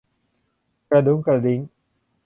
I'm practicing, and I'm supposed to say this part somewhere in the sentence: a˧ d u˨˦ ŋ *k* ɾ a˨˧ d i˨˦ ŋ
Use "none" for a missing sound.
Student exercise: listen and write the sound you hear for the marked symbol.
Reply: k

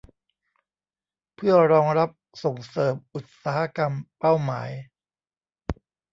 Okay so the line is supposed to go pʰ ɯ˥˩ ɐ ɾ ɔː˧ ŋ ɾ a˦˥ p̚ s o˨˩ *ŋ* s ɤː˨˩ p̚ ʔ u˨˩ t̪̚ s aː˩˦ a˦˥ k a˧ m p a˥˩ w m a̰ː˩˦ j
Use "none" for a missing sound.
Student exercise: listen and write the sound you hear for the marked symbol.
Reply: ŋ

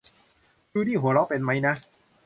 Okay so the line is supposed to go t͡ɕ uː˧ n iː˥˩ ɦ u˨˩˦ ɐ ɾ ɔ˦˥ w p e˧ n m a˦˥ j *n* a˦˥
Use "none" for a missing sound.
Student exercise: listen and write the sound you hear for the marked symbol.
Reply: n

